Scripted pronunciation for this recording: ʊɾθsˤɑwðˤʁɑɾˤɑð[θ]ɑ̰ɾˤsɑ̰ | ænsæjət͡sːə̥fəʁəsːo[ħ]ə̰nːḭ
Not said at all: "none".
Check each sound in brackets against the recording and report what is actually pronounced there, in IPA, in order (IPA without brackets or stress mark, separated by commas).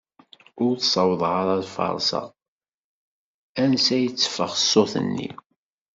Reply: f, θ